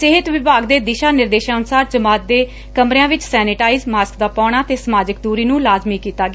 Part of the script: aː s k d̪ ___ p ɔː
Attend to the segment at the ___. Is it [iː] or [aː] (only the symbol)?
aː